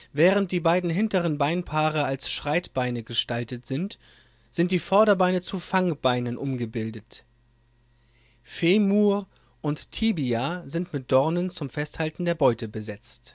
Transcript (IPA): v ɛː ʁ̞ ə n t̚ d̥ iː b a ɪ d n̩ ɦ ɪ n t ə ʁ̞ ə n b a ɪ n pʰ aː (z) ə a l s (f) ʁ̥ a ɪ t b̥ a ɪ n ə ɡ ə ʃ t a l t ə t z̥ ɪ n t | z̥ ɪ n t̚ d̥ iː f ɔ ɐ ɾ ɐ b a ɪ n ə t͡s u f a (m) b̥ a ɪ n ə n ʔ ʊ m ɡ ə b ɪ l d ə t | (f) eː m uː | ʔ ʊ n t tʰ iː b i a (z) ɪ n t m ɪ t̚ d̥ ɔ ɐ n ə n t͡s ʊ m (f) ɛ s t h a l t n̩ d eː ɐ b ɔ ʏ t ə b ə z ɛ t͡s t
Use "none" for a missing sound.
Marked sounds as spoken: ʁ, ʃ, ŋ, f, z, f

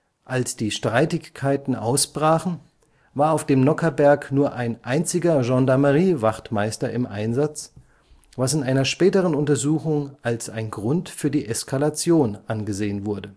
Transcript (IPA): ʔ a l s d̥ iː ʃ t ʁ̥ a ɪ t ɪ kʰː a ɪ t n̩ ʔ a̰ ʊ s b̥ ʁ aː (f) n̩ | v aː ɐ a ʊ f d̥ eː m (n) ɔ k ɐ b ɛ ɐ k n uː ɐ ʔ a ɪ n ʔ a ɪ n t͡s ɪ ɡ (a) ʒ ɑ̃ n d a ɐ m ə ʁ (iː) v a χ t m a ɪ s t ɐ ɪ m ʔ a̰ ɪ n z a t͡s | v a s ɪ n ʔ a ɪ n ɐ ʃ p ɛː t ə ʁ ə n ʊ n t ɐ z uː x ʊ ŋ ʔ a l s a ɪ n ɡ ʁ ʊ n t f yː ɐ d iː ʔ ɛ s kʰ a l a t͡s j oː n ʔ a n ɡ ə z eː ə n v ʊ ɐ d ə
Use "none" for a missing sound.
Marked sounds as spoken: χ, n, ɐ, iː

